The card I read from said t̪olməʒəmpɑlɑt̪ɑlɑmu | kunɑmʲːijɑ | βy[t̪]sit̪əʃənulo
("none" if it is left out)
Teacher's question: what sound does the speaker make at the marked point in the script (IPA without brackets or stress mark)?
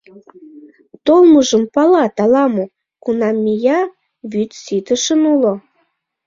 t̪